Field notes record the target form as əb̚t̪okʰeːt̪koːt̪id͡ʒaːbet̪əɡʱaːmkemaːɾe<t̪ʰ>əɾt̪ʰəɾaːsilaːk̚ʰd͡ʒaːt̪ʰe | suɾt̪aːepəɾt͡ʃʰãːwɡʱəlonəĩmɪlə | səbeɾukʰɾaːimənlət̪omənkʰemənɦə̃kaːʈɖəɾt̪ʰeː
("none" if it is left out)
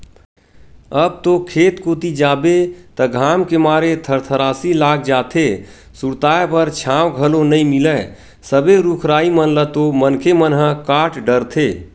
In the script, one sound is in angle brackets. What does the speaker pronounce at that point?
t̪ʰ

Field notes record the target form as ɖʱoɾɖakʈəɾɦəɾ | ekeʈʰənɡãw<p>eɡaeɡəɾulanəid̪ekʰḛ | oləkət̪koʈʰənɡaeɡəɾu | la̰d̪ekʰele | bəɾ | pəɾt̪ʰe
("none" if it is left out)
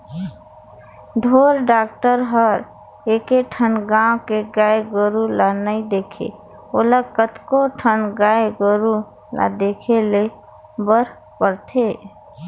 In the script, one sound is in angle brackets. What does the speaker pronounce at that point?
k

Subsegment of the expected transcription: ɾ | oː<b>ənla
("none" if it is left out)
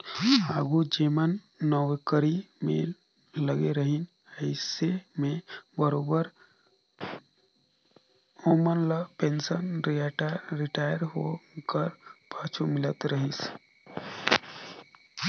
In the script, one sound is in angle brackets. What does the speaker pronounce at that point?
m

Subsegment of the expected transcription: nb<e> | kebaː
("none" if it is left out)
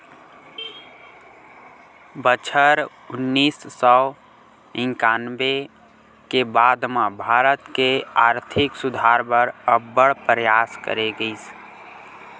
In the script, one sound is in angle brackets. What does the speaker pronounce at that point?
e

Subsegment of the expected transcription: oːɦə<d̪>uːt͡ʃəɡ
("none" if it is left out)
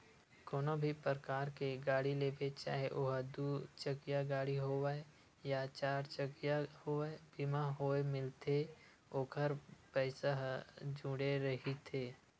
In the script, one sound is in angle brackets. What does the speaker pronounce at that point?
d̪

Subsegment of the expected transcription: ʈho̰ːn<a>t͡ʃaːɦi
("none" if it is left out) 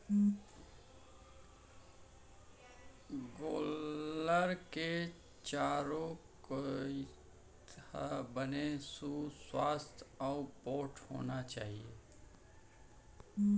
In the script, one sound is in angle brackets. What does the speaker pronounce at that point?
a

